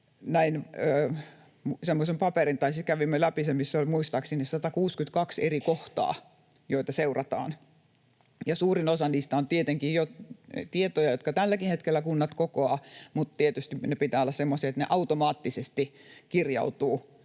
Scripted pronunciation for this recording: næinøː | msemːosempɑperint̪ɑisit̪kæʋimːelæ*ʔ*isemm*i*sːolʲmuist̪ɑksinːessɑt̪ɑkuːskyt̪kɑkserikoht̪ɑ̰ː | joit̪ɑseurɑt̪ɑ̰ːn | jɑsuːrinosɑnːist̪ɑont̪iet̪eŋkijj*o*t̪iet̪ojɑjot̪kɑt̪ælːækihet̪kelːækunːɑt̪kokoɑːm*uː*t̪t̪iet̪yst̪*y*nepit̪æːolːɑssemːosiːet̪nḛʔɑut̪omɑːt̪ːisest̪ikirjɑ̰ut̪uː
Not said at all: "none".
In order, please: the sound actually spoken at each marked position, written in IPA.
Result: p, i, o, u, i

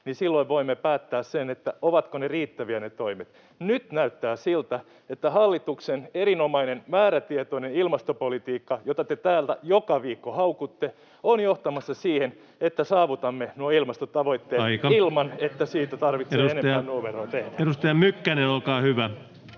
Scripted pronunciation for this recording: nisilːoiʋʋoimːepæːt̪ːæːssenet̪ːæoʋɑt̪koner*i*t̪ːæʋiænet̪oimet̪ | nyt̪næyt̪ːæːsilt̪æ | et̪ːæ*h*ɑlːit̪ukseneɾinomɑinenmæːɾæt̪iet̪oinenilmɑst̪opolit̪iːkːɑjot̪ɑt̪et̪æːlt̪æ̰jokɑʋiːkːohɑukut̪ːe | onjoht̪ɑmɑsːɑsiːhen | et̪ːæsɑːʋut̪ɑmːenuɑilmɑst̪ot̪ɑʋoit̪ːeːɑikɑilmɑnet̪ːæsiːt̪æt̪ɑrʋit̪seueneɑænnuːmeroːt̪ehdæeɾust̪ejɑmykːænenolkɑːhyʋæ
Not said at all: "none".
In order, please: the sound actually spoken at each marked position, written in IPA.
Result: iː, h

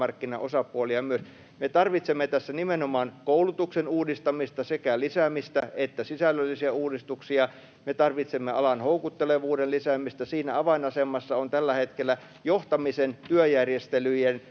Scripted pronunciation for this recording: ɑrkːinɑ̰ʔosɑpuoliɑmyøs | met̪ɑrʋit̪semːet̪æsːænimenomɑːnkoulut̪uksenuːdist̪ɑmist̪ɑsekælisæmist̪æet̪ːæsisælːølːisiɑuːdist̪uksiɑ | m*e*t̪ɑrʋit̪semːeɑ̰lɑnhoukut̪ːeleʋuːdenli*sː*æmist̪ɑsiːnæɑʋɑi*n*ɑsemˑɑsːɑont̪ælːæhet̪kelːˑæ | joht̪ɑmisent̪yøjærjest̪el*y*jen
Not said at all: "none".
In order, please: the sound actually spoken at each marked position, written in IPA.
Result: e, s, n, y

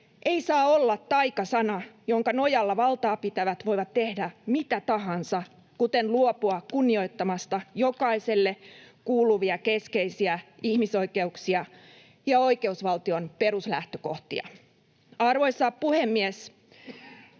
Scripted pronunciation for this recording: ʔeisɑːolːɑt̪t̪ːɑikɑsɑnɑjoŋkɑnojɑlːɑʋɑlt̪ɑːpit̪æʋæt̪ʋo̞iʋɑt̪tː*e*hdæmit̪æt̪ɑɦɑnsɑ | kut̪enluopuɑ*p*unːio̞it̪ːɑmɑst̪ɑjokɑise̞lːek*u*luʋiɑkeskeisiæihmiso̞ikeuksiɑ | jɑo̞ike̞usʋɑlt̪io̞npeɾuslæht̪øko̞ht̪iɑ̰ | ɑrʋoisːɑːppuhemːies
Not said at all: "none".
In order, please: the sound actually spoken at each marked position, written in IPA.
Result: e, k, uː

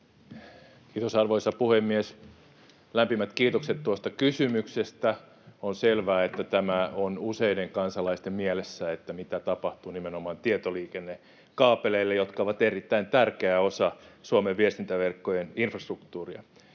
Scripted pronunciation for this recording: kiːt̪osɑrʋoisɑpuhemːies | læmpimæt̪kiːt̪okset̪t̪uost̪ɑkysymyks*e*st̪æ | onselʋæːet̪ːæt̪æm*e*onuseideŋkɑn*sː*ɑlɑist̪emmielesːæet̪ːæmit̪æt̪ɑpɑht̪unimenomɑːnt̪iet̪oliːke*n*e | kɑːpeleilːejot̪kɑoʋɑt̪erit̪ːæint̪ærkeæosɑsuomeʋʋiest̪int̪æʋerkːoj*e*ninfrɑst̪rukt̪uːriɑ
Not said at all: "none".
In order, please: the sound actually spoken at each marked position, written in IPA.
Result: e, æ, s, nː, e

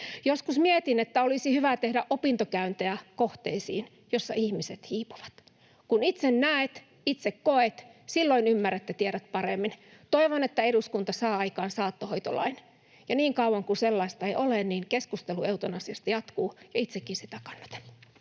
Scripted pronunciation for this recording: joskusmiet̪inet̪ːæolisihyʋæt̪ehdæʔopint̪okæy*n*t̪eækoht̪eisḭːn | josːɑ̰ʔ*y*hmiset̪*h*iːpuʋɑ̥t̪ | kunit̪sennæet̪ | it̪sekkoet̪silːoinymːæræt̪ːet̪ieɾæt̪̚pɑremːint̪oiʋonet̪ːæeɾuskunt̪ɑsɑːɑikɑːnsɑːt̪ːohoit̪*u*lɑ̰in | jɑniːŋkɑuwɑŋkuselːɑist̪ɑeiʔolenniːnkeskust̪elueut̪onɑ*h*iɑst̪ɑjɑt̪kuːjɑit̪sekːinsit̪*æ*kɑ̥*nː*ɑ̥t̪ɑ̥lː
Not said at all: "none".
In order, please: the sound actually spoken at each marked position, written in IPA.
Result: n, i, h, o, s, æ, nː

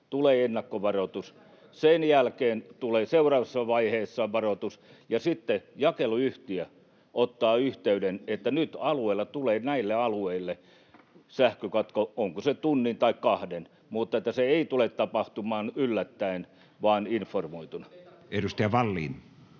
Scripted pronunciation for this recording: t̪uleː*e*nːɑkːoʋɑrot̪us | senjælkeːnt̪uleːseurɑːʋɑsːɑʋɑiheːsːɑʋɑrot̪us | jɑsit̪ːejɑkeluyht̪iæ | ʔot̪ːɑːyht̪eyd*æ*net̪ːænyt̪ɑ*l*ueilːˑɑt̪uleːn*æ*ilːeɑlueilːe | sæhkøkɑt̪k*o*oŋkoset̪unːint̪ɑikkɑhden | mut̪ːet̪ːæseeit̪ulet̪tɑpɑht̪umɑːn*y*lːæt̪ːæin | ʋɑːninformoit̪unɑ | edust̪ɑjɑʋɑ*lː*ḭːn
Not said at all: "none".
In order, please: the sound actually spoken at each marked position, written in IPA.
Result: e, e, l, æ, o, y, lː

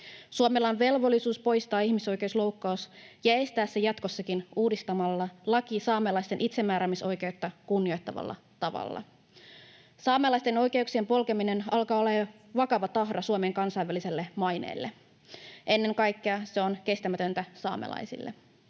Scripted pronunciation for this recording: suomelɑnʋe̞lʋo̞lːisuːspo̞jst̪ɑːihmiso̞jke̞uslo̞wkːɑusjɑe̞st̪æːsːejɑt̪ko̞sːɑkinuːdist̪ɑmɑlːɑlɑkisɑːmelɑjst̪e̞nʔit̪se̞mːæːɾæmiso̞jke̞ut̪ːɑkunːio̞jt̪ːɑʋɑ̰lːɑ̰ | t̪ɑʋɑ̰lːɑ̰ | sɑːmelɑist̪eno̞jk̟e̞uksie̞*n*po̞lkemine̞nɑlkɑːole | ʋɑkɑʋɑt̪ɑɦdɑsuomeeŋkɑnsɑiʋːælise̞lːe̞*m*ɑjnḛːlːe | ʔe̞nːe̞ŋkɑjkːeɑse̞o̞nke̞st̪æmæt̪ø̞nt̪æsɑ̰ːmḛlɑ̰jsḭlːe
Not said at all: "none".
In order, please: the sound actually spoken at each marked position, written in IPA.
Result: m, m

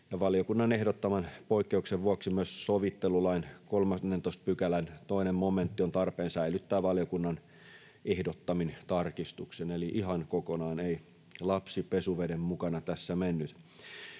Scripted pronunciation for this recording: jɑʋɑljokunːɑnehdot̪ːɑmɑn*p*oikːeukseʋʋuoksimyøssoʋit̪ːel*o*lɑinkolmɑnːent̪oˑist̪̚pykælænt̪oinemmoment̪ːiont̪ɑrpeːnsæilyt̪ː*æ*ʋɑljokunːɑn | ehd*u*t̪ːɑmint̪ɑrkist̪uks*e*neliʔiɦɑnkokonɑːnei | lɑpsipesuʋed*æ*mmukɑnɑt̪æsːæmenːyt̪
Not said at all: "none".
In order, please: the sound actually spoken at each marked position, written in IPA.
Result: p, u, æː, o, e, e

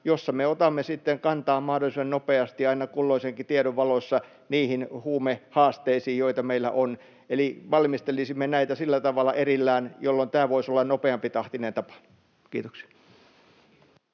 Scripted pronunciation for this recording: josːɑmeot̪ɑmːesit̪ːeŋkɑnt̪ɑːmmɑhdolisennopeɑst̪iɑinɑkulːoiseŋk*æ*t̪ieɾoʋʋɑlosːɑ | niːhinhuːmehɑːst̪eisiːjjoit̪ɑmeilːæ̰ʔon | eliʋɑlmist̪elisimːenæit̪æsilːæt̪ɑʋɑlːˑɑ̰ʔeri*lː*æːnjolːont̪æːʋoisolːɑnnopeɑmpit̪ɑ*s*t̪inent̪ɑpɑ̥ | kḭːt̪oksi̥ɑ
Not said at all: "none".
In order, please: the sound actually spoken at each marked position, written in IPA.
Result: i, lː, h

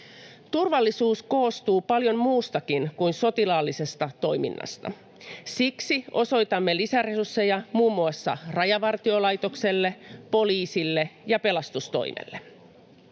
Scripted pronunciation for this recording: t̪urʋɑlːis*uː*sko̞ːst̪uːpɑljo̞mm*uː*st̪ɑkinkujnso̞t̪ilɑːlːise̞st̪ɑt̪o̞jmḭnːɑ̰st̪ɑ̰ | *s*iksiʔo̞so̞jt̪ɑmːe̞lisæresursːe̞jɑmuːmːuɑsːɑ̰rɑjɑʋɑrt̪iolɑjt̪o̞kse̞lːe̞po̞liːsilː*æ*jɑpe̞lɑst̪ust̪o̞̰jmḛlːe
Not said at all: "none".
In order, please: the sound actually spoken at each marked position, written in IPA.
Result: uː, uː, s, e

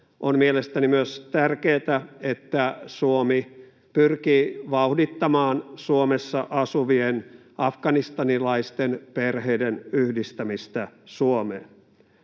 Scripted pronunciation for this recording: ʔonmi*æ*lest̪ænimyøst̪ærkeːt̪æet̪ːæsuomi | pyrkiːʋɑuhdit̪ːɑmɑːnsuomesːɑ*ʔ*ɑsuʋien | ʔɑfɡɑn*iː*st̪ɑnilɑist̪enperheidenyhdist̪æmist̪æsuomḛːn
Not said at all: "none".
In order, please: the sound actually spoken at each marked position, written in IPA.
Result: e, ʔ, i

